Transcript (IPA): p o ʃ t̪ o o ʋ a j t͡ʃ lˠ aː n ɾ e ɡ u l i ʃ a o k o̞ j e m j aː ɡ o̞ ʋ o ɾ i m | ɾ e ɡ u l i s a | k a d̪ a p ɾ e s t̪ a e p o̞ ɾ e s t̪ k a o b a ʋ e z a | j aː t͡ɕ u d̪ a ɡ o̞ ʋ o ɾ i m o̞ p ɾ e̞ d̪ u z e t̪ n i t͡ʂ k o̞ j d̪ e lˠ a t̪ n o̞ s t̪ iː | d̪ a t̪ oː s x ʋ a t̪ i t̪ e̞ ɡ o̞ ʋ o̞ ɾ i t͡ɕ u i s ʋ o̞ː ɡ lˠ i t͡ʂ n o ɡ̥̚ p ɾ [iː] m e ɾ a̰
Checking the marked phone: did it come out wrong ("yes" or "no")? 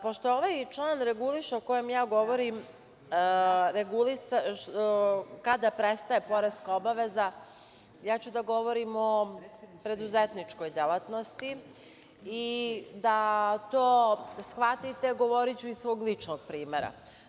no